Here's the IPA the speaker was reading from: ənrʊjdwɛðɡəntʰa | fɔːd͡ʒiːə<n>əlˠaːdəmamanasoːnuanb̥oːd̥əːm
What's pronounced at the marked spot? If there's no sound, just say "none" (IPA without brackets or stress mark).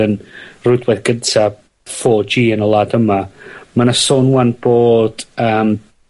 n